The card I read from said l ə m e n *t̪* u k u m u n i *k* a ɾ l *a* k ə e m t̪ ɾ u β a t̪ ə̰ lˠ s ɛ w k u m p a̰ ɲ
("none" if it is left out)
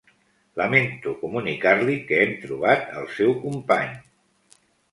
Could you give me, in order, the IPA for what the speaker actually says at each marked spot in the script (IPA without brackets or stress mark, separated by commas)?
t̪, k, i